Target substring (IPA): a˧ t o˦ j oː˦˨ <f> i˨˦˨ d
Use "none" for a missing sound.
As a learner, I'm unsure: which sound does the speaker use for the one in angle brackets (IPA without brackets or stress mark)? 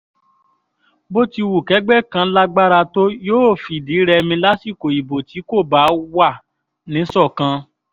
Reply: f